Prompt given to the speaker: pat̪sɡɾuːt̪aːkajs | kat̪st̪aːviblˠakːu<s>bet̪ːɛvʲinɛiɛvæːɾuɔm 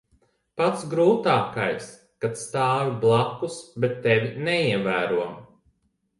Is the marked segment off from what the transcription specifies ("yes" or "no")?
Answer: no